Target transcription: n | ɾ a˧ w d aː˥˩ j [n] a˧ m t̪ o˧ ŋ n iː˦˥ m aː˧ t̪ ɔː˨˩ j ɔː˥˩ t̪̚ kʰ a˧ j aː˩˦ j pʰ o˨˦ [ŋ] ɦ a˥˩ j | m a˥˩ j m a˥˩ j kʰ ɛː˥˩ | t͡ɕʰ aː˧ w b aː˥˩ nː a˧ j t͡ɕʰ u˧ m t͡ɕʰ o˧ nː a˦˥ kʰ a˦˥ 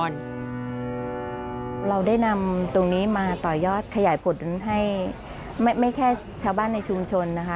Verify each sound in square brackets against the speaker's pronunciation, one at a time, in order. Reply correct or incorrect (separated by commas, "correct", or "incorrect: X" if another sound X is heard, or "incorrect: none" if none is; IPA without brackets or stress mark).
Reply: correct, incorrect: n